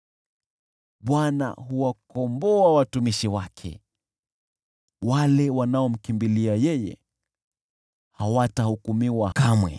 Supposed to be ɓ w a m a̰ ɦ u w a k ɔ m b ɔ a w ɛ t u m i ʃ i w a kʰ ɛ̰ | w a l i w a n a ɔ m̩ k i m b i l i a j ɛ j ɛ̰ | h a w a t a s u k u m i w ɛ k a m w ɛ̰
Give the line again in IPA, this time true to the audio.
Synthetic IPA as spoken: ɓ w a n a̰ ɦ u w a k ɔ m b ɔ a w a t u m i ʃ i w a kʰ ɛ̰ | w a l ɛ w a n a ɔ m̩ k i m b i l i a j ɛ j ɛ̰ | h a w a t a h u k u m i w a k a m w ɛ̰